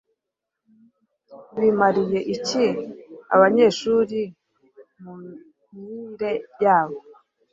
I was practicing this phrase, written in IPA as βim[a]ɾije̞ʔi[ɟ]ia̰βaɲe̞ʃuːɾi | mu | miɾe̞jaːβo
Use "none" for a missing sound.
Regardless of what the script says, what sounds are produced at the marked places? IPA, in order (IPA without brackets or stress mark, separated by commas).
a, c